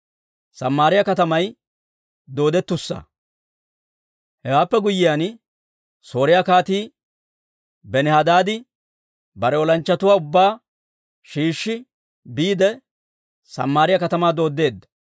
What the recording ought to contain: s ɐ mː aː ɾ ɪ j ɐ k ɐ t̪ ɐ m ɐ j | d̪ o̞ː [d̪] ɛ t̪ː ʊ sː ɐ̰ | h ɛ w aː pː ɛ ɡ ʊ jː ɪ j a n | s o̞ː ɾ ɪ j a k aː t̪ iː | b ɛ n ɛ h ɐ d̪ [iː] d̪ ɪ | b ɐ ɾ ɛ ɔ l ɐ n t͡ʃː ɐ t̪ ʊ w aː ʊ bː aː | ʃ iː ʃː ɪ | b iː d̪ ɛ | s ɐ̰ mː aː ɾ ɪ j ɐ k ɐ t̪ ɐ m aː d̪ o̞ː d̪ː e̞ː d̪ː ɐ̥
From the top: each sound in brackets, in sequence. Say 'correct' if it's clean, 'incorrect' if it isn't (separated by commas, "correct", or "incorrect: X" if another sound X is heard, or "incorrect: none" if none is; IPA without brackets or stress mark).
correct, incorrect: aː